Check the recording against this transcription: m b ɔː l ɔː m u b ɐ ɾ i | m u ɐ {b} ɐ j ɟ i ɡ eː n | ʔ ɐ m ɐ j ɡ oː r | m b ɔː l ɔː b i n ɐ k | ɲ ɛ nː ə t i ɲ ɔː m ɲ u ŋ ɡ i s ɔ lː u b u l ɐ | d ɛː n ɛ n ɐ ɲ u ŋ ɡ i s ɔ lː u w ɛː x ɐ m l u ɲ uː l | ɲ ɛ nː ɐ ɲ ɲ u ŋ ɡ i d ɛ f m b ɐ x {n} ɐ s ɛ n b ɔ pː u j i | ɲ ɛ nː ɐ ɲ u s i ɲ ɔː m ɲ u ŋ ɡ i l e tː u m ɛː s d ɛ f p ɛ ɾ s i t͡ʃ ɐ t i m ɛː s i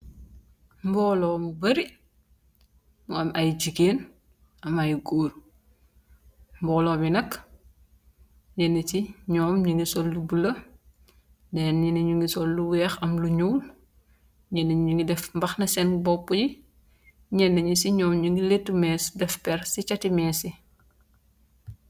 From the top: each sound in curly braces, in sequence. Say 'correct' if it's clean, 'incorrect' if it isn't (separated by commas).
incorrect, correct